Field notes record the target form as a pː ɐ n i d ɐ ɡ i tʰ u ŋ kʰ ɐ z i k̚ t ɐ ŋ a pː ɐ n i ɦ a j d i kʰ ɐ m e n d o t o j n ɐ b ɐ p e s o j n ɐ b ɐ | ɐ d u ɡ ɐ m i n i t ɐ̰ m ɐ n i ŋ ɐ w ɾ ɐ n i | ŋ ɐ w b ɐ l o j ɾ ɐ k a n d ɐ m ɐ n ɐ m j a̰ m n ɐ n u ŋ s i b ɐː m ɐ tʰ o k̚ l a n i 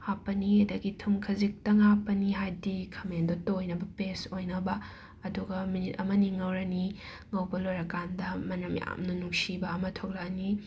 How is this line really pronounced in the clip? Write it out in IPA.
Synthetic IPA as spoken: a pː ɐ n i d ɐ ɡ i tʰ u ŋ kʰ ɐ z i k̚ t ɐ ŋ a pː ɐ n i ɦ a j d i kʰ ɐ m e n d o t o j n ɐ b ɐ p e s o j n ɐ b ɐ | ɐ d u ɡ ɐ m i n i t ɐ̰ m ɐ n i ŋ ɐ w ɾ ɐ n i | ŋ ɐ w b ɐ l o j ɾ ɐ k a n d ɐ m ɐ n ɐ m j a̰ m n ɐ n u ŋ s i b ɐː m ɐ tʰ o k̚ l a n i